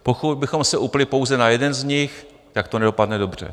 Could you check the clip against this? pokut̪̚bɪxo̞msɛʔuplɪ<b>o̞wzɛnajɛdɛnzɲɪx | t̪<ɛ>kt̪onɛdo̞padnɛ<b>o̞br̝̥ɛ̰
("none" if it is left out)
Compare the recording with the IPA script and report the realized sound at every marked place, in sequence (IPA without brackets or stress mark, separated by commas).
p, a, d